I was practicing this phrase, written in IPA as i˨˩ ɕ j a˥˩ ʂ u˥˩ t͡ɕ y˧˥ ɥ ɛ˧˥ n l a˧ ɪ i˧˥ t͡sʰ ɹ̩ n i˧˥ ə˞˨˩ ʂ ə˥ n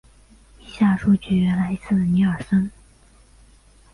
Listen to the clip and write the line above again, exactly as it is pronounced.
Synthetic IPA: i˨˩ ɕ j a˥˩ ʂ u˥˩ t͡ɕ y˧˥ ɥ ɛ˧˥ n l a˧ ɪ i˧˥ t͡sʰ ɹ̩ n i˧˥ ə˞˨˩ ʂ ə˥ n